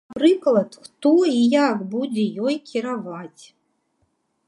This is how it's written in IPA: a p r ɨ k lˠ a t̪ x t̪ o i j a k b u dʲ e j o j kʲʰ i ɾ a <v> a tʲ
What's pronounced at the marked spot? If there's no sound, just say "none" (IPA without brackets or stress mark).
v